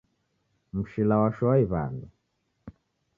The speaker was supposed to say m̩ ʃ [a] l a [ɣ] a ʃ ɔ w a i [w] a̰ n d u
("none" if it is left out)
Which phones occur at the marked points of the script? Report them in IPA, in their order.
i, w, β

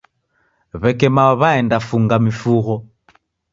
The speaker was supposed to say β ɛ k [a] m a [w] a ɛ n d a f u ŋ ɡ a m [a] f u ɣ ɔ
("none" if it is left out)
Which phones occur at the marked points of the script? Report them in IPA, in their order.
ɛ, β, i

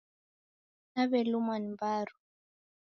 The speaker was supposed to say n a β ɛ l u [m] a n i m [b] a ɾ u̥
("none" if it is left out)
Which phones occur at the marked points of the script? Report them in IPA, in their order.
m, b

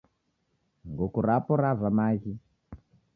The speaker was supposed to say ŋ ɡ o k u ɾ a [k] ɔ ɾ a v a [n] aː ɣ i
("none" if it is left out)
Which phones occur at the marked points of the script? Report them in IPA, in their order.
p, m

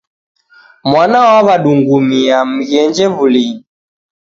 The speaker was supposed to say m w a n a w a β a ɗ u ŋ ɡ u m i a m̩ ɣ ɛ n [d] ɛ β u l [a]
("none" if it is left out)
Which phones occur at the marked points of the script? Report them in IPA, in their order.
d͡ʒ, i

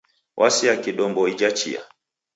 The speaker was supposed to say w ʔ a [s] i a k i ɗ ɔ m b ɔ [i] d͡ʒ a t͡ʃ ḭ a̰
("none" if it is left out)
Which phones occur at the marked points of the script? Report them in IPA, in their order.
s, i

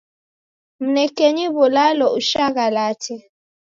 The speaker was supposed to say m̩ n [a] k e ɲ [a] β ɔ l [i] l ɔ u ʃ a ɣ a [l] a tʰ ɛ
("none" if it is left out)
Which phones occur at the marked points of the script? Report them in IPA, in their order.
ɛ, i, a, l

